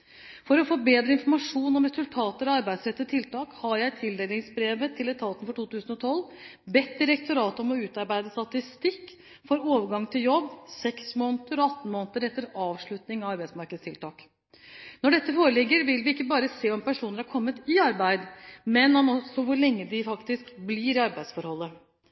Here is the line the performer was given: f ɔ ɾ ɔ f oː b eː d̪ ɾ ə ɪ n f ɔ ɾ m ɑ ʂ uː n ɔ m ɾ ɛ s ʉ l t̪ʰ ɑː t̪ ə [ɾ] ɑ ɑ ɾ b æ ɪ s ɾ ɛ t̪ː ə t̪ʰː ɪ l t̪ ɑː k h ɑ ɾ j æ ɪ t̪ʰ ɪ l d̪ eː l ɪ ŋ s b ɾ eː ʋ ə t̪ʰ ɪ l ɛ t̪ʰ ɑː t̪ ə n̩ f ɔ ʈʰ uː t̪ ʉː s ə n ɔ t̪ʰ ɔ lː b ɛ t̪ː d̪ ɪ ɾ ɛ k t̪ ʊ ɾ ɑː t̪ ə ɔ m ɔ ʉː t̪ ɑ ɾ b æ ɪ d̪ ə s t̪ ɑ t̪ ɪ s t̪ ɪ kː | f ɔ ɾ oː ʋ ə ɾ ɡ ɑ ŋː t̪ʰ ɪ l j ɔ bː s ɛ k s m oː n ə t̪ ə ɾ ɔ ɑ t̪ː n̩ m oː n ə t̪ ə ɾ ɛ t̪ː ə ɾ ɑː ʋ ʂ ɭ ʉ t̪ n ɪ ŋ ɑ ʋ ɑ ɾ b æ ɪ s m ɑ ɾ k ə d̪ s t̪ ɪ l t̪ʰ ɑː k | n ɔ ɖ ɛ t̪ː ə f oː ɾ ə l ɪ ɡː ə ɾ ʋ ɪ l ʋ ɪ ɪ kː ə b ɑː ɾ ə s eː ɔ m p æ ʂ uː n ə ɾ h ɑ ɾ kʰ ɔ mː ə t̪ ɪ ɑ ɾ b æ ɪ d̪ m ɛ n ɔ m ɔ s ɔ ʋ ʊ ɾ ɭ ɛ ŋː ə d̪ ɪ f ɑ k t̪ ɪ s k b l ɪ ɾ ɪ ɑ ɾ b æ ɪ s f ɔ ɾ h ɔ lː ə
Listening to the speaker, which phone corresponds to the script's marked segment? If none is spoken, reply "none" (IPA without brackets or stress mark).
ɾ